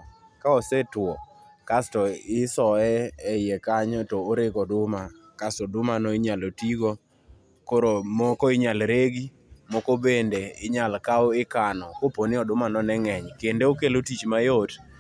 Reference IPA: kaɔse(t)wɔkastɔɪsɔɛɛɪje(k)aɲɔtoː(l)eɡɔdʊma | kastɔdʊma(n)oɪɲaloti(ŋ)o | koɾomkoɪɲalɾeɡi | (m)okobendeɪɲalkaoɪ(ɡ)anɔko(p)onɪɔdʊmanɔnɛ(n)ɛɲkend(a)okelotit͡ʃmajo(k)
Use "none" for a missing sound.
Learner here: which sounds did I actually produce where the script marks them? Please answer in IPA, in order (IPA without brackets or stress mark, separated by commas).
t, k, ɾ, n, ɡ, m, k, p, ŋ, e, t